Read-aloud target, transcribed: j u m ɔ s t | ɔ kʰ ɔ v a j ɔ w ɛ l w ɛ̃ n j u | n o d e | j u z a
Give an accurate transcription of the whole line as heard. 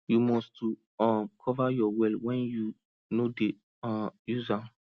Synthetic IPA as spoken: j u m ɔ s t | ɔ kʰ ɔ v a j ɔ w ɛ l w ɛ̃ n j u | n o d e | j u z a